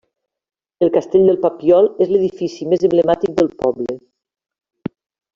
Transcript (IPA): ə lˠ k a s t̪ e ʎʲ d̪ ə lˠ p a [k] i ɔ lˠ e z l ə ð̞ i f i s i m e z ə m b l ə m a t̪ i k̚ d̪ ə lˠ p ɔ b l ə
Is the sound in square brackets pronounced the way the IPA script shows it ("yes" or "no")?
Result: no